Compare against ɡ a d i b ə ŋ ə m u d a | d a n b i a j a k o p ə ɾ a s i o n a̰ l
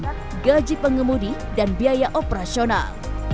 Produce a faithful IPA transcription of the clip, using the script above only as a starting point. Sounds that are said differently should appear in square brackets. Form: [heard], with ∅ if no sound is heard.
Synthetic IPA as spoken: ɡ a [d͡ʒ] i [p] ə ŋ ə m u d [i] | d a n b i a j a [ʔ] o p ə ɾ a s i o n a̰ l

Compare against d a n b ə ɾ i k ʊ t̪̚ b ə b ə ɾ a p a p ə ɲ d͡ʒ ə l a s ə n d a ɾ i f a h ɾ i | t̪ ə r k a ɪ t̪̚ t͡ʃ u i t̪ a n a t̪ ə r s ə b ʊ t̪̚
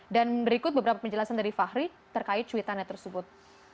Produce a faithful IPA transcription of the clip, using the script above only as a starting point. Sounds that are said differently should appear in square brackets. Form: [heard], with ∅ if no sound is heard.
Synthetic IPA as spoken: d a n b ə ɾ i k ʊ t̪̚ b ə b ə ɾ a p a p ə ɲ d͡ʒ ə l a s [a] n d a ɾ i f a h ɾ i | t̪ ə r k a ɪ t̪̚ t͡ʃ u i t̪ a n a t̪ ə r s ə b ʊ t̪̚

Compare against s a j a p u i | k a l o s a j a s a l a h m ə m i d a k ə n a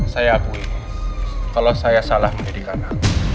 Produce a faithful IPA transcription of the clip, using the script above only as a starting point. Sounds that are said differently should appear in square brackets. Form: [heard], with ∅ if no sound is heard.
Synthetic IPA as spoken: s a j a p u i | k a l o s a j a s a l a h m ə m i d [i] k [a] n a

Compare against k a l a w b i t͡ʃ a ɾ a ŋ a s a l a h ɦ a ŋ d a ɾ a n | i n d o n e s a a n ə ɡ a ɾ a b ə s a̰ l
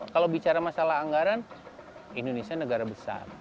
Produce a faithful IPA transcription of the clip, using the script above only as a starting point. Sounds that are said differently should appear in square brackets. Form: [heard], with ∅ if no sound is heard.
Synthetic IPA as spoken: k a l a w b i t͡ʃ a ɾ a [m] a s a l a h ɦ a ŋ [ɡ] a ɾ a n | i n d o n e s [i] a n ə ɡ a ɾ a b ə s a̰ [r]

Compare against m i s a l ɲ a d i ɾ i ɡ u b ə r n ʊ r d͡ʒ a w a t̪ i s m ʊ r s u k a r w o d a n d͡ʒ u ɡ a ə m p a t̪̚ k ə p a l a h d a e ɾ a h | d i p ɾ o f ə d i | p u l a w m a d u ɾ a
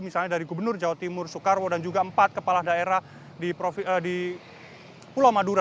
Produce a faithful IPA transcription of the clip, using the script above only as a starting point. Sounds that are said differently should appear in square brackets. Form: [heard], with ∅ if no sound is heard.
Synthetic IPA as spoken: m i s a l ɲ a d [a] ɾ i ɡ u b ə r n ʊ r d͡ʒ a w a t̪ i [∅] m ʊ r s u k a r w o d a n d͡ʒ u ɡ a ə m p a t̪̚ k ə p a l a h d a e ɾ a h | d i p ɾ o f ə d i | p u l a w m a d u ɾ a

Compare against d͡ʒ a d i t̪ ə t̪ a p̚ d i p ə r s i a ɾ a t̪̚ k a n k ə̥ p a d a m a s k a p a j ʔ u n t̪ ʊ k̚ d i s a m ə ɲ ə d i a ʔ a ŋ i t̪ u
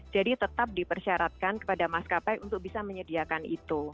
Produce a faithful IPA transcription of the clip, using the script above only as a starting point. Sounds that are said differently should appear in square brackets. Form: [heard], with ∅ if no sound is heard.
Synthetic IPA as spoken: d͡ʒ a d i t̪ ə t̪ a p̚ d i p ə r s i a ɾ a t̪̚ k a n k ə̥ p a d a m a s k a p a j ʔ u n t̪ ʊ k̚ [b] i s a m ə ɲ ə d i a [k] a [n] i t̪ u

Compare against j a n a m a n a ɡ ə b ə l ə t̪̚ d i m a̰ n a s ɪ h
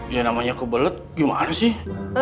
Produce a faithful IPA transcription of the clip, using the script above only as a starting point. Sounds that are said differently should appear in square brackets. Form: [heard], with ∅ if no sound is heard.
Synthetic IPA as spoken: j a n a m a [ɲ] a [k] ə b ə l ə t̪̚ [ɡ] i m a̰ n a s ɪ h

